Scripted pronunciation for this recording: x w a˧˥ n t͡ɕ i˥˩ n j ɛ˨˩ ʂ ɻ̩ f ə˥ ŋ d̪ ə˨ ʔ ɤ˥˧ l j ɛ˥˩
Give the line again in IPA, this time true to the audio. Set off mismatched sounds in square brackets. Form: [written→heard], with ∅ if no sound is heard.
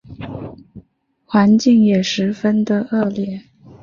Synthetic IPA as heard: x w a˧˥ n t͡ɕ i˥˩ [n→ŋ] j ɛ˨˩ ʂ ɻ̩ f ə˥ [ŋ→n] d̪ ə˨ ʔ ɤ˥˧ l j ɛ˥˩